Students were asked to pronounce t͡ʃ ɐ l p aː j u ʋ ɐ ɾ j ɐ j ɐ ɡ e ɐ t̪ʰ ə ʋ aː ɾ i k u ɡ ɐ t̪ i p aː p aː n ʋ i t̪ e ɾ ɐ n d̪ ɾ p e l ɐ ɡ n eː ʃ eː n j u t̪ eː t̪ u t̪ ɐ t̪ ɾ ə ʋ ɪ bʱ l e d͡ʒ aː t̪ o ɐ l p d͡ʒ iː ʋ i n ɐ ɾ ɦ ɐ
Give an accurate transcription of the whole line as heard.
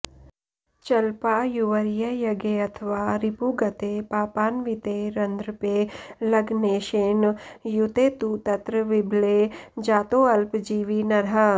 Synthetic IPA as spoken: t͡ʃ ɐ l p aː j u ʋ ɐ ɾ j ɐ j ɐ ɡ e ɐ t̪ʰ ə ʋ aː ɾ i p u ɡ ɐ t̪ e p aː p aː n ʋ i t̪ e ɾ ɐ n d̪ ɾ p e l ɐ ɡ n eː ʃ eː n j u t̪ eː t̪ u t̪ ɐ t̪ ɾ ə ʋ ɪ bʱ l e d͡ʒ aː t̪ o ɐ l p d͡ʒ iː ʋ i n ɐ ɾ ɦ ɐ